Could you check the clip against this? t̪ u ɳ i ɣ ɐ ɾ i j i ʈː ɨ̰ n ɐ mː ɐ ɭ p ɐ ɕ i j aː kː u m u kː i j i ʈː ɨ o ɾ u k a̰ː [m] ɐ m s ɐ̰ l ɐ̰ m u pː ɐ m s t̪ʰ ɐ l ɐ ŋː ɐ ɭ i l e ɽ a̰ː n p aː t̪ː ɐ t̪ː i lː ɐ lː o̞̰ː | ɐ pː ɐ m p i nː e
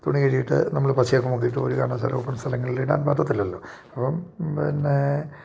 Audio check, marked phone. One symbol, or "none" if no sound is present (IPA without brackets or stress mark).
ɳ